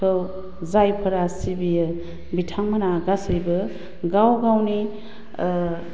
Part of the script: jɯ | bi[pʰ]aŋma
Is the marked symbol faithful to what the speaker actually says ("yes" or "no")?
no